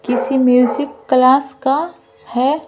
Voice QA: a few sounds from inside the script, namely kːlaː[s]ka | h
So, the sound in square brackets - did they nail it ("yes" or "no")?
yes